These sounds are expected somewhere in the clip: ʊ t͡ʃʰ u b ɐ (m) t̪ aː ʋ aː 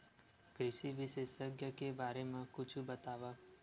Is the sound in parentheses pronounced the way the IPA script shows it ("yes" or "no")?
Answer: no